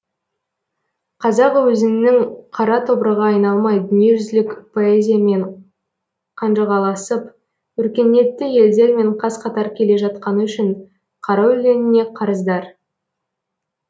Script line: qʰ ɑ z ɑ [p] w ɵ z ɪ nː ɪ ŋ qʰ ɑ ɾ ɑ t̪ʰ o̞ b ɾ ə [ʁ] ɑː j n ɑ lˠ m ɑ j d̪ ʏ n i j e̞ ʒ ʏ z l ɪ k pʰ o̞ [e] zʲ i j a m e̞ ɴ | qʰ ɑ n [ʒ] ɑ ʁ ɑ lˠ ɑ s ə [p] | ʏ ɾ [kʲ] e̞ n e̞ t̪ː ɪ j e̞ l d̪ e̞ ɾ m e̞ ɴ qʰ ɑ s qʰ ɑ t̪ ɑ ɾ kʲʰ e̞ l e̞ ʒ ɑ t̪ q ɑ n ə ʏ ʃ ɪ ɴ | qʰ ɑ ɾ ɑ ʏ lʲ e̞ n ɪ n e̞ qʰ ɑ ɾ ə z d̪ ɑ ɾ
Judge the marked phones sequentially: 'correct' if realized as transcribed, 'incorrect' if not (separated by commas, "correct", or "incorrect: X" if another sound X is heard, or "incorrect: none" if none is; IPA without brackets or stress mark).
incorrect: q, correct, correct, correct, correct, correct